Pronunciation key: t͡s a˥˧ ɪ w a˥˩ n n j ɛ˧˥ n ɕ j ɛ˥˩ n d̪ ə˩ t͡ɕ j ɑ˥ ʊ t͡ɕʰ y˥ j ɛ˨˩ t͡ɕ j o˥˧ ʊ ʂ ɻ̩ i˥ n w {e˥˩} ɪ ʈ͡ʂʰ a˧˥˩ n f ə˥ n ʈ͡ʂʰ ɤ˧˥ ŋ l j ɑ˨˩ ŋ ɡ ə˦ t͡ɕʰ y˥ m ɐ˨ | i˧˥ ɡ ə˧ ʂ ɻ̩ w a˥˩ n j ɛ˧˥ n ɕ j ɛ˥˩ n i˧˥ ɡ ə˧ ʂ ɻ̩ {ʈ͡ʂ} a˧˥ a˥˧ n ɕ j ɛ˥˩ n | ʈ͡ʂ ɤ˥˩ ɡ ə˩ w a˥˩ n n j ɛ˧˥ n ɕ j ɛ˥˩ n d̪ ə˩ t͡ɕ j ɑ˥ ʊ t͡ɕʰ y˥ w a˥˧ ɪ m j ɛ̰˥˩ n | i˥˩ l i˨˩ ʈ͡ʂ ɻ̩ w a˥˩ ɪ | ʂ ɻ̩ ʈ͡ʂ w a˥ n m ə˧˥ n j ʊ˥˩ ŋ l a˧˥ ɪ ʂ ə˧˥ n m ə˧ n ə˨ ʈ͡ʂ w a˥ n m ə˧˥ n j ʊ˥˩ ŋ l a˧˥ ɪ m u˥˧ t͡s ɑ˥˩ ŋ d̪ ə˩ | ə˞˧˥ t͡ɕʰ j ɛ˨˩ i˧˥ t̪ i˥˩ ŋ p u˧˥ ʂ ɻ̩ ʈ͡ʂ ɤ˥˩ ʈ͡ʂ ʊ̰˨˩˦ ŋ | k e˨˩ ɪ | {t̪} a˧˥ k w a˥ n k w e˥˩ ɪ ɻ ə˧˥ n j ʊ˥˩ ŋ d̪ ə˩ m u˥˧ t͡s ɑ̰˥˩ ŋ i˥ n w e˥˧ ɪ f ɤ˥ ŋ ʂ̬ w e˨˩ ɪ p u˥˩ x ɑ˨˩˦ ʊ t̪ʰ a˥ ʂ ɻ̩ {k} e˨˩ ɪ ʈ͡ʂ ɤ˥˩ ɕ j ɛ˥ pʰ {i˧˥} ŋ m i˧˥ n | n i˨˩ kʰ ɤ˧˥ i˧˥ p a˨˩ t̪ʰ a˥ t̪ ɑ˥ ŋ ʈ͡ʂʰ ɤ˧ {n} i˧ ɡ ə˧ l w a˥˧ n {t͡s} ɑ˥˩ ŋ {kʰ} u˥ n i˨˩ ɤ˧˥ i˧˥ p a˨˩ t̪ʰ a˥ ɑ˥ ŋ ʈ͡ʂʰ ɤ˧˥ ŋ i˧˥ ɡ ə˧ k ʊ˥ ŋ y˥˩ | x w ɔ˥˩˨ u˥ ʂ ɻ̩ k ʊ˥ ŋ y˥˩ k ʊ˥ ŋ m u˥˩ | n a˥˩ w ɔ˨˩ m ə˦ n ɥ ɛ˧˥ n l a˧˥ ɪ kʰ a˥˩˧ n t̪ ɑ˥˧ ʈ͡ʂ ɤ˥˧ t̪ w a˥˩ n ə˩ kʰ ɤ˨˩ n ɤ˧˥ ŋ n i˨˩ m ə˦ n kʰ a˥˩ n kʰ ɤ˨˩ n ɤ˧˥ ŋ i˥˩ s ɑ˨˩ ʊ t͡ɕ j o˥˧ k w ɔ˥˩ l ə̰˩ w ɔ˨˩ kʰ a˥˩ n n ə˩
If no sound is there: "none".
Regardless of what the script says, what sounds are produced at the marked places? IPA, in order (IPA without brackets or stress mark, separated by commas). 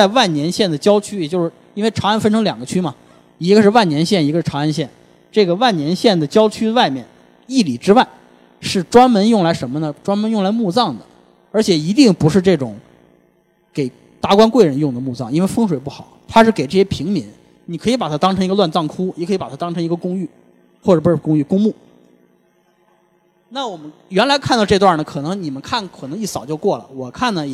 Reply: e˥˩, ʈ͡ʂʰ, t̪, k, i˧˥, ŋ, t͡s, kʰ